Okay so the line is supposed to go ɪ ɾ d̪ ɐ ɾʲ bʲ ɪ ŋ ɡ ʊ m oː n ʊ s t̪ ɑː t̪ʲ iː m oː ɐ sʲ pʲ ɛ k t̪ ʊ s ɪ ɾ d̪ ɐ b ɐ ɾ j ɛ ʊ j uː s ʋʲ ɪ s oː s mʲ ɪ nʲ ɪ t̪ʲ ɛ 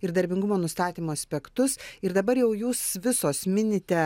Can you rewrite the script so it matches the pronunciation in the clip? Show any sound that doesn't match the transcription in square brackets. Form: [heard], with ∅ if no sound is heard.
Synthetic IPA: ɪ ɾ d̪ ɐ ɾʲ bʲ ɪ ŋ ɡ ʊ m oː n ʊ s t̪ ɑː t̪ʲ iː m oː ɐ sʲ pʲ ɛ k t̪ ʊ s ɪ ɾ d̪ ɐ b ɐ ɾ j ɛ ʊ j uː s ʋʲ ɪ s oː s mʲ ɪ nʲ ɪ t̪ʲ ɛ